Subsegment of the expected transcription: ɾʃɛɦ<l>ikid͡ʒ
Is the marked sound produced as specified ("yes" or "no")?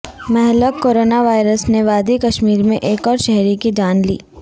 no